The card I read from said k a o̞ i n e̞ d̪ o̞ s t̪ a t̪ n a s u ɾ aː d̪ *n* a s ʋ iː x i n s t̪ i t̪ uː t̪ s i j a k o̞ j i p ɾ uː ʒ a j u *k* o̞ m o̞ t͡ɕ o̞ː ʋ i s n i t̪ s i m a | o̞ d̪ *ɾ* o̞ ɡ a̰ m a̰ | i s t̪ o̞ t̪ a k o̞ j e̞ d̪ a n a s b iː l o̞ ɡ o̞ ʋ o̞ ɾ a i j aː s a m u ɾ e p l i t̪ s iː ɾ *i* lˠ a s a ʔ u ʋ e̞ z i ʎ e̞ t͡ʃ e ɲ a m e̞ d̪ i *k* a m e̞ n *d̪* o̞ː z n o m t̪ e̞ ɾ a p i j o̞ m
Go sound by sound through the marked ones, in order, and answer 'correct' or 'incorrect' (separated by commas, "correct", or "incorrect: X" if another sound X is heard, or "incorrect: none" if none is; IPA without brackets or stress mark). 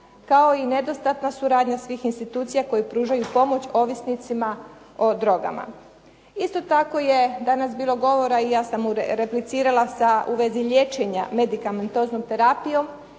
incorrect: ɲ, incorrect: p, correct, incorrect: a, correct, incorrect: t̪